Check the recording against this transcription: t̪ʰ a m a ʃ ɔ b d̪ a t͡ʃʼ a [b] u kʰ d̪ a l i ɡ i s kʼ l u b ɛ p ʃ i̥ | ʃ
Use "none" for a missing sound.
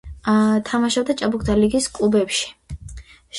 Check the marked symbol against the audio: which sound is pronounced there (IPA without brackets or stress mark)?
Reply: b